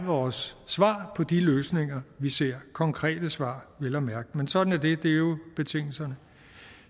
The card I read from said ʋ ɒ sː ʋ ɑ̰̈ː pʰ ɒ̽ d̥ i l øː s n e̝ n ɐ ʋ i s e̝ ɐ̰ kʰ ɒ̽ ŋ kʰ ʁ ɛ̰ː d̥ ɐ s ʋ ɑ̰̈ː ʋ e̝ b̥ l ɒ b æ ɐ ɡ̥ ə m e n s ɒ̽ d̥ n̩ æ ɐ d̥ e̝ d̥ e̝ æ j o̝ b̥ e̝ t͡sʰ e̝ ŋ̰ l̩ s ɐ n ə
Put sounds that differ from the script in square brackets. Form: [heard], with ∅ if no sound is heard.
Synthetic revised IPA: ʋ [ɒː] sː ʋ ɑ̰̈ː pʰ ɒ̽ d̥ i l øː s n e̝ [ŋ] ɐ ʋ i s e̝ ɐ̰ kʰ ɒ̽ ŋ kʰ ʁ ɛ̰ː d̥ [ə] s ʋ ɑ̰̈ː ʋ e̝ [∅] l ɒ [m] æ ɐ ɡ̥ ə m e n s ɒ̽ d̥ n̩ æ ɐ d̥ e̝ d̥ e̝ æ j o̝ b̥ e̝ t͡sʰ e̝ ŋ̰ l̩ s ɐ n ə

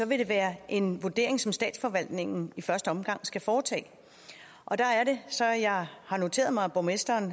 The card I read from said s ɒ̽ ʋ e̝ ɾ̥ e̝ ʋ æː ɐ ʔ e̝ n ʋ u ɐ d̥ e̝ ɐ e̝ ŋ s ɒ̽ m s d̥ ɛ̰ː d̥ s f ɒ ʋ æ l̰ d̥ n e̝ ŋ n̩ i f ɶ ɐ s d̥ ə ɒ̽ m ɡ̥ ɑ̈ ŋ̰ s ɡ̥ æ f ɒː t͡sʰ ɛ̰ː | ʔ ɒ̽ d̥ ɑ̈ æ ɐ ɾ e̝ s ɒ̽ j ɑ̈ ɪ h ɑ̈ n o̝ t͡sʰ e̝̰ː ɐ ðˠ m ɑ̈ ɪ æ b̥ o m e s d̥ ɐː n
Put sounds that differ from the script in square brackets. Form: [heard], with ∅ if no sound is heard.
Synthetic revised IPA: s ɒ̽ ʋ e̝ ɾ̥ e̝ ʋ æː ɐ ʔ e̝ n ʋ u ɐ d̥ e̝ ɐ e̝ ŋ s ɒ̽ m s d̥ ɛ̰ː d̥ s f ɒ ʋ æ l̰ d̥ n e̝ ŋ n̩ i f ɶ ɐ s d̥ ə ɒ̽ m ɡ̥ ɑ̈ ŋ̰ s ɡ̥ æ f ɒː t͡sʰ ɛ̰ː | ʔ ɒ̽ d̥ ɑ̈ æ ɐ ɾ e̝ s ɒ̽ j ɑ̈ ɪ h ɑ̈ n o̝ t͡sʰ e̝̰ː ɐ ðˠ m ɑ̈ ɪ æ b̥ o m e s d̥ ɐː n

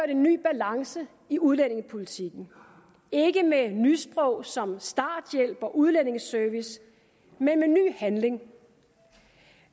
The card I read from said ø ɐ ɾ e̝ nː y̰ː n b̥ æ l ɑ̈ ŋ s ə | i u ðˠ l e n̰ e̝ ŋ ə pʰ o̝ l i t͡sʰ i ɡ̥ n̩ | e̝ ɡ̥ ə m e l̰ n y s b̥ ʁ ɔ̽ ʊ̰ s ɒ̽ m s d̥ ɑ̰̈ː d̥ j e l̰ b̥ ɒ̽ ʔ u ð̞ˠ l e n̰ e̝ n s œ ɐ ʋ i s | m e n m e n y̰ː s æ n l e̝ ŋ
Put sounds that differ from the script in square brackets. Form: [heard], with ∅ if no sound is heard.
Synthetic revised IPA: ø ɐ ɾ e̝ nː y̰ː [∅] b̥ æ l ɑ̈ ŋ s ə | i u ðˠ l e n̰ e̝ ŋ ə pʰ o̝ l i t͡sʰ i ɡ̥ n̩ | e̝ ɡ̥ ə m e [∅] n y s b̥ ʁ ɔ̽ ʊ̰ s ɒ̽ m s d̥ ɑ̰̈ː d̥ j e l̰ b̥ ɒ̽ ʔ u ð̞ˠ l e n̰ e̝ [ŋ] s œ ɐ ʋ i s | m e n m e n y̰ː [h] æ n l e̝ ŋ

